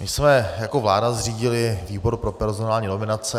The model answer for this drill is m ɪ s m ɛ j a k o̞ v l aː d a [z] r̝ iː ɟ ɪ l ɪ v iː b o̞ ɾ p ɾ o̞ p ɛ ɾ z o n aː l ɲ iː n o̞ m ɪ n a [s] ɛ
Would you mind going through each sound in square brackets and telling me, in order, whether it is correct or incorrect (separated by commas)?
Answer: correct, incorrect